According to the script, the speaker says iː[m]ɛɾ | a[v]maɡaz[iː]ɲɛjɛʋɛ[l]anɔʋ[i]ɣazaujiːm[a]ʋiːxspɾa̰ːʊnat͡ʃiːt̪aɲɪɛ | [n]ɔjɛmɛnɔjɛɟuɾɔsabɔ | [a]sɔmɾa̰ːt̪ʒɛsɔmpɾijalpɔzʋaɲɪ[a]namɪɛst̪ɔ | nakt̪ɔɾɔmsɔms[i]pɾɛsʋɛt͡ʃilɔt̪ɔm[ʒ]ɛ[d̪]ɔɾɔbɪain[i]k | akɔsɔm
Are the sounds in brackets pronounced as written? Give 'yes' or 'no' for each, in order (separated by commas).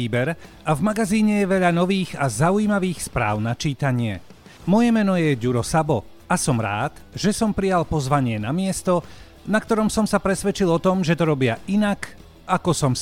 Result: no, yes, yes, no, no, yes, no, yes, no, no, yes, no, no